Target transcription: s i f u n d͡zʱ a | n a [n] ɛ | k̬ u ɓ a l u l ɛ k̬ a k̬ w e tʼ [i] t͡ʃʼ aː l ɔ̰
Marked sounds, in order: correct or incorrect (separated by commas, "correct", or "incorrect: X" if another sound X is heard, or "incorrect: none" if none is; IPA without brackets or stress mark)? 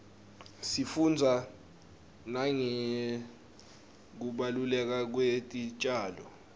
incorrect: ŋ, correct